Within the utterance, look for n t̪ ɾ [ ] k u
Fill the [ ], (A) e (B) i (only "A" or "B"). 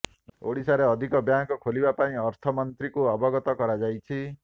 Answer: B